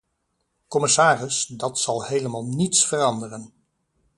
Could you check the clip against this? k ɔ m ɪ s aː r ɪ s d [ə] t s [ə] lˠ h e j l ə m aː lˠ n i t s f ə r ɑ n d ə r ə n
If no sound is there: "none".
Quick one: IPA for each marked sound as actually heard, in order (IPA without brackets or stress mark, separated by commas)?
ɑ, ɑ